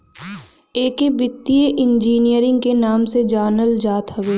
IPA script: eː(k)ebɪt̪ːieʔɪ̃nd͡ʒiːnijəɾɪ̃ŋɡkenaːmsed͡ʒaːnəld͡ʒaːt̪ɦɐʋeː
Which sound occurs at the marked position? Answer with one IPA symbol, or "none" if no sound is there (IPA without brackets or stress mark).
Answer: k